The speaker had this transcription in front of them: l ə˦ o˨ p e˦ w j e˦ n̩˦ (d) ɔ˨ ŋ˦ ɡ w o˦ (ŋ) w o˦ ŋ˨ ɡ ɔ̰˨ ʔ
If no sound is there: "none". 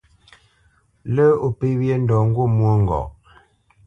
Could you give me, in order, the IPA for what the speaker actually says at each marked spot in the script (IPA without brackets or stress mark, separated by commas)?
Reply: d, m